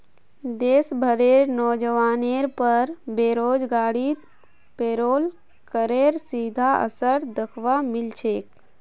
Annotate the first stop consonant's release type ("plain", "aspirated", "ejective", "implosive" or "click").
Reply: plain